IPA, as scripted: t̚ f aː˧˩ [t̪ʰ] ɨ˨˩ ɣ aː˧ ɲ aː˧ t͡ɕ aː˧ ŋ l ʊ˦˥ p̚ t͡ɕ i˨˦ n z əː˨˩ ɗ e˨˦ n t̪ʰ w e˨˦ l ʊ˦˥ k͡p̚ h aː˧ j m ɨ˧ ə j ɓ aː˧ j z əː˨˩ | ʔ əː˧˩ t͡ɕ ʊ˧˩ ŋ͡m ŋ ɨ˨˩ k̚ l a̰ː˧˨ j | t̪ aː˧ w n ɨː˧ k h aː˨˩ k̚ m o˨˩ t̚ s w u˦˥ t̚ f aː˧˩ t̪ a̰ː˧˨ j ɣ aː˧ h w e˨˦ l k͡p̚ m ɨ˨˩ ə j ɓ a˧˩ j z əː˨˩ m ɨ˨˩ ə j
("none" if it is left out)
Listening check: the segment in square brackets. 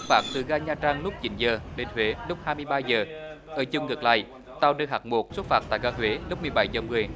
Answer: t̪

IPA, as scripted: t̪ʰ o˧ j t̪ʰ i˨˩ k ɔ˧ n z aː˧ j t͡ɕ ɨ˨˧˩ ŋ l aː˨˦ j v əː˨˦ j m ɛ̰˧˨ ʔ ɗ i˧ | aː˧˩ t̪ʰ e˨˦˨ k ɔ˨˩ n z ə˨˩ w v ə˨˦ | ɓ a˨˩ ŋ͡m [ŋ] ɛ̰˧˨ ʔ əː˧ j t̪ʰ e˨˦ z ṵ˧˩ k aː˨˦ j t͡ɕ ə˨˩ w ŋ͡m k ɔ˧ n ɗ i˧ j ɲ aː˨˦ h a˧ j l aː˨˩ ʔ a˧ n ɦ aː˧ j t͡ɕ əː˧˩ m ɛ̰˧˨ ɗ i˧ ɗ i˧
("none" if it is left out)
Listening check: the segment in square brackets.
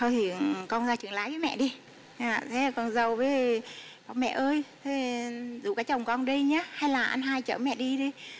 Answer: m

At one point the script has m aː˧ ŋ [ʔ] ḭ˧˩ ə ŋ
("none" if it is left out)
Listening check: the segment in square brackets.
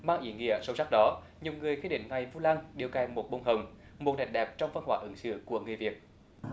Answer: ʔ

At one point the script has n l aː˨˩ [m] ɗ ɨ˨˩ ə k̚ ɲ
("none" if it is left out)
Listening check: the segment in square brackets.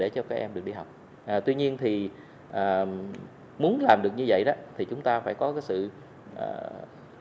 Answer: m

